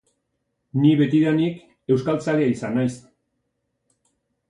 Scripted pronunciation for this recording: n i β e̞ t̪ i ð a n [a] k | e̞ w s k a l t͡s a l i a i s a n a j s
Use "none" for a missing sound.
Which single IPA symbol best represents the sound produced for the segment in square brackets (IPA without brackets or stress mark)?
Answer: i